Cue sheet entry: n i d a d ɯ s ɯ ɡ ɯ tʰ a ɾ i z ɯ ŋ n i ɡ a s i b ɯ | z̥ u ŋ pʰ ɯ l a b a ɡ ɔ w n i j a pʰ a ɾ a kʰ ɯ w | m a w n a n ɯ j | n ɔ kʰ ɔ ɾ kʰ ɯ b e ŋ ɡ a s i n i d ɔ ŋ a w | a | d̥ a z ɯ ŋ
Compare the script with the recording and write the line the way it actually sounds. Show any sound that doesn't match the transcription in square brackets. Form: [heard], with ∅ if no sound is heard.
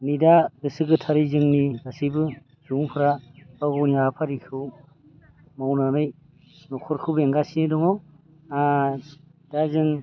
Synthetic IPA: n i d a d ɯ s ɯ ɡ ɯ tʰ a ɾ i z ɯ ŋ n i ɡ a s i b ɯ | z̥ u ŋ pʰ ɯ [ɾ] a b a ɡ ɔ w n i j a pʰ a ɾ [i] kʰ ɯ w | m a w n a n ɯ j | n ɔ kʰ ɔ ɾ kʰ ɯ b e ŋ ɡ a s i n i d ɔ ŋ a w | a | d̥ a z ɯ ŋ